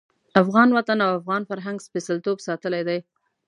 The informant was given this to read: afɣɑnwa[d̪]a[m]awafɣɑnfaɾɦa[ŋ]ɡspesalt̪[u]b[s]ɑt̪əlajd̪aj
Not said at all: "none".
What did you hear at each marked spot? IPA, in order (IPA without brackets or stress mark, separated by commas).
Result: t̪, n, ŋ, o, s